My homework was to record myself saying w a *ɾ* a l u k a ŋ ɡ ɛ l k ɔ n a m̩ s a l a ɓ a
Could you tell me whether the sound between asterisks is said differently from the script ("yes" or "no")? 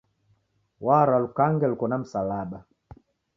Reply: no